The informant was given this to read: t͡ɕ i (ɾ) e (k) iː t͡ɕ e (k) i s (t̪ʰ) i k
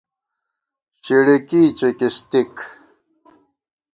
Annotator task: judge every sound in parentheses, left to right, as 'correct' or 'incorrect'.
incorrect: ɽ, correct, correct, incorrect: t̪

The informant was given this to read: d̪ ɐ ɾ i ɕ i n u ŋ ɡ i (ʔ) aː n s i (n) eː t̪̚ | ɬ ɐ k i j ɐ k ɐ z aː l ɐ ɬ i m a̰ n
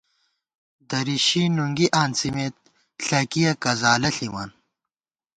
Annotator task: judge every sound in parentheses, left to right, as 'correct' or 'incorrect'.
correct, incorrect: m

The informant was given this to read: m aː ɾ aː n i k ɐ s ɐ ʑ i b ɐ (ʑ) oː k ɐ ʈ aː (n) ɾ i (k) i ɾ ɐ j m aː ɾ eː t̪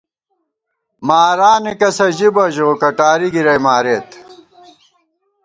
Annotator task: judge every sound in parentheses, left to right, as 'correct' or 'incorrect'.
correct, incorrect: none, incorrect: ɡ

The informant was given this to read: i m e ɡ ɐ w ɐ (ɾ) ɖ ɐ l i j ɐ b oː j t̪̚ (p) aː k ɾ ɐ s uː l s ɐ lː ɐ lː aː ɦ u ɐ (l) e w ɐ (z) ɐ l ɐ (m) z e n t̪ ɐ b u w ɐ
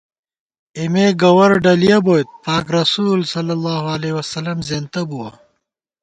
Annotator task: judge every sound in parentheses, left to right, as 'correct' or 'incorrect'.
correct, correct, correct, incorrect: s, correct

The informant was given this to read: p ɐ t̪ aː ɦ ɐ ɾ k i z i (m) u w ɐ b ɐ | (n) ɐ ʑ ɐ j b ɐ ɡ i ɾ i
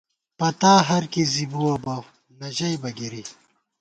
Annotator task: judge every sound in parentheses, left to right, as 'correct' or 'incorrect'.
incorrect: b, correct

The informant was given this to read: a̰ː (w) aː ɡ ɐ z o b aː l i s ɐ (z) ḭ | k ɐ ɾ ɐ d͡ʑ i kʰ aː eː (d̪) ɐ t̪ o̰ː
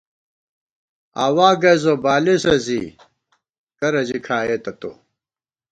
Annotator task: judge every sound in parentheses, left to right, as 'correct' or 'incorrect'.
correct, correct, incorrect: t̪

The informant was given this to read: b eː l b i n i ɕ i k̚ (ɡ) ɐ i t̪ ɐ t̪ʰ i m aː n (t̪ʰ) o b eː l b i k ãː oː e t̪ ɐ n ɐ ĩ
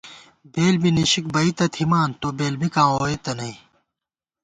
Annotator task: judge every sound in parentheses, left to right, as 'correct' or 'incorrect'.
incorrect: b, incorrect: t̪

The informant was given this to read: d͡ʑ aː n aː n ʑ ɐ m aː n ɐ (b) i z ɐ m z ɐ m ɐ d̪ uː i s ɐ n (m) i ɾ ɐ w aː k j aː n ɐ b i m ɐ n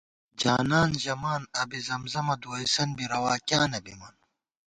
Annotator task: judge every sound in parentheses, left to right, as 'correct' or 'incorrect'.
correct, incorrect: b

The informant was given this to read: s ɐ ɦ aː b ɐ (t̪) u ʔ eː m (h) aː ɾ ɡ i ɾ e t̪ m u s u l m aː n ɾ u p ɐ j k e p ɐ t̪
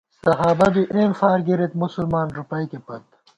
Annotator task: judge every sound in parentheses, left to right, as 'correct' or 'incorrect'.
incorrect: d̪, incorrect: f

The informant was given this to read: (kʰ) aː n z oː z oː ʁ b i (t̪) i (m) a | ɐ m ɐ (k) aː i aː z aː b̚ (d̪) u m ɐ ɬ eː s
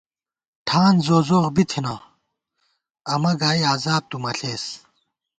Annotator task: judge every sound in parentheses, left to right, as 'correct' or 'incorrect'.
incorrect: ʈʰ, incorrect: t̪ʰ, incorrect: n, incorrect: ɡ, incorrect: t̪

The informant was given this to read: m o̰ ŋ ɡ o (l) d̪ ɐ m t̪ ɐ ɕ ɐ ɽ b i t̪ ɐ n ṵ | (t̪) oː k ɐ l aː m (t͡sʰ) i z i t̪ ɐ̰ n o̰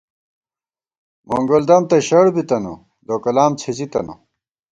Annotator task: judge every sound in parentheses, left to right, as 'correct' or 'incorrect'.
correct, incorrect: d̪, correct

